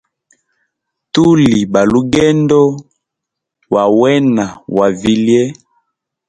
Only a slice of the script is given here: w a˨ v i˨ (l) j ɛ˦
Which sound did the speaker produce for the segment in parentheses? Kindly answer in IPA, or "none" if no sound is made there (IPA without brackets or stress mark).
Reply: l